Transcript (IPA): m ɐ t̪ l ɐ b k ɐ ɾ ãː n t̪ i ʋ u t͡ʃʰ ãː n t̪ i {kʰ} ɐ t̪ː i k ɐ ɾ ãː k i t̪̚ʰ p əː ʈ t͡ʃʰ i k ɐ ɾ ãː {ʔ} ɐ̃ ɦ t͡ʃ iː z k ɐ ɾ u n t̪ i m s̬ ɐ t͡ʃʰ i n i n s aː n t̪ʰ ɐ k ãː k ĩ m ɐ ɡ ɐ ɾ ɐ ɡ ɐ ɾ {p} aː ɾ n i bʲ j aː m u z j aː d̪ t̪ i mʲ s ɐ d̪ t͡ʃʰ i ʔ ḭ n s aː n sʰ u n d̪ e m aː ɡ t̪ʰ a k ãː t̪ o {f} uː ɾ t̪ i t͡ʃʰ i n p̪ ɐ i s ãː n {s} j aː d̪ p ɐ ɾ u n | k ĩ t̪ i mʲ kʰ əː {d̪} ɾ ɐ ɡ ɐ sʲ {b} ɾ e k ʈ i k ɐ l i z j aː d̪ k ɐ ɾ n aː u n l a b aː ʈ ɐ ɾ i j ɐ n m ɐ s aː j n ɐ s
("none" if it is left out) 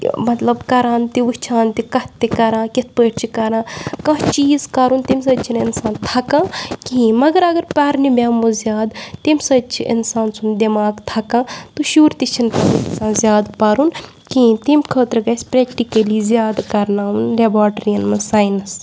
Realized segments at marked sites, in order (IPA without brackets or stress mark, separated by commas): k, k, p, ʃ, z, t̪, p